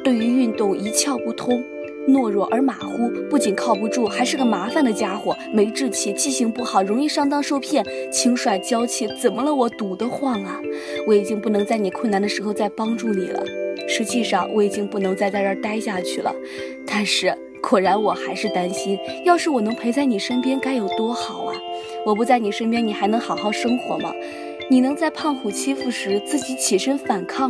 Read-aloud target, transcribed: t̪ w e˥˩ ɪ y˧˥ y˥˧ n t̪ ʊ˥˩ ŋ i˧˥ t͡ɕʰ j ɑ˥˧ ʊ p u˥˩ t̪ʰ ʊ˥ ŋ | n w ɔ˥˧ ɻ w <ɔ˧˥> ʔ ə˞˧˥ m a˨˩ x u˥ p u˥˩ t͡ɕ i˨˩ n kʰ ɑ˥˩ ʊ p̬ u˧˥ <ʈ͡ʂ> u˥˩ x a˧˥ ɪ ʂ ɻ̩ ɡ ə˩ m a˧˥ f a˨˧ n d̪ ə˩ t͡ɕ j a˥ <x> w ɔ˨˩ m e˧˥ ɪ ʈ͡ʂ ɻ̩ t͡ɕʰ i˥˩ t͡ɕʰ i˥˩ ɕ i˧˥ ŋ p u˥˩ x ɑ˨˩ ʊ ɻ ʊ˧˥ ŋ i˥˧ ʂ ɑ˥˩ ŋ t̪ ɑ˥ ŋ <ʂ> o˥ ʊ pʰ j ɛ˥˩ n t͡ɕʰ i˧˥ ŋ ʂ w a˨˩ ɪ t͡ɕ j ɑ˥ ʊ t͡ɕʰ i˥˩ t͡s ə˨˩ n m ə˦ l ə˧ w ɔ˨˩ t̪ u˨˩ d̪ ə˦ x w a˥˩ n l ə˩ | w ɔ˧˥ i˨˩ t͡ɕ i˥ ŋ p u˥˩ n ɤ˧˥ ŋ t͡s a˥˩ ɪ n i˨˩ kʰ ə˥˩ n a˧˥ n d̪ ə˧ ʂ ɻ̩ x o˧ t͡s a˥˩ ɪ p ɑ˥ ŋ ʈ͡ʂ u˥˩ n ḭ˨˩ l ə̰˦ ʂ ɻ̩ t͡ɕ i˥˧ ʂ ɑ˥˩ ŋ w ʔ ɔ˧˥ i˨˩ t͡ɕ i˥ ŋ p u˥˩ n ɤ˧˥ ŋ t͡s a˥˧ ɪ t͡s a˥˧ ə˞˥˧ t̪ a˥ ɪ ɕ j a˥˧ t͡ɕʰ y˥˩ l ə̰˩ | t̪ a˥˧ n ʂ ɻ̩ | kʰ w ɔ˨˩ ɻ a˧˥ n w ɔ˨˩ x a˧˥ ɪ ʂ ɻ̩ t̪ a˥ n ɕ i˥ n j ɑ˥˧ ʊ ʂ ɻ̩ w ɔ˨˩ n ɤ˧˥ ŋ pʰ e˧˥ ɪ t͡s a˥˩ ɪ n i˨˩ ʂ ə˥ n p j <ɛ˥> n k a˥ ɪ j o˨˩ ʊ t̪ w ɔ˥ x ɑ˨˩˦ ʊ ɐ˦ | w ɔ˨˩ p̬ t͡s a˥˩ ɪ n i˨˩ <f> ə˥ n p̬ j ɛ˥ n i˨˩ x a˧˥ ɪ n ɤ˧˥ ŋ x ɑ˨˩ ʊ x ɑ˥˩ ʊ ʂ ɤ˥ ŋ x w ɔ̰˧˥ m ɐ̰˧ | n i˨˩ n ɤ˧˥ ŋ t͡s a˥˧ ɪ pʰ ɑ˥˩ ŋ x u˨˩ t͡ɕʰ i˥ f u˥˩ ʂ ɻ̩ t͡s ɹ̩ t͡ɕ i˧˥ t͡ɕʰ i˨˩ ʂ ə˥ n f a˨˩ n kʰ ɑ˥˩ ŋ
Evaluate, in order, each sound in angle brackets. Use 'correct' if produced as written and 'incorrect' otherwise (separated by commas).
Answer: incorrect, correct, correct, correct, correct, incorrect